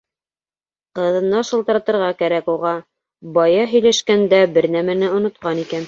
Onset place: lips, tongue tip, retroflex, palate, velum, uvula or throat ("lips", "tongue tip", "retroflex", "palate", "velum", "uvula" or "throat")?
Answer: uvula